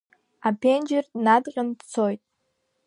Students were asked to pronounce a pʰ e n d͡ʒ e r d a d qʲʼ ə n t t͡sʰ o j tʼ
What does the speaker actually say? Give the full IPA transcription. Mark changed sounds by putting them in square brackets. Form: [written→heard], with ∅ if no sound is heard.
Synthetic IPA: a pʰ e n d͡ʒ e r [d→n] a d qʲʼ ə n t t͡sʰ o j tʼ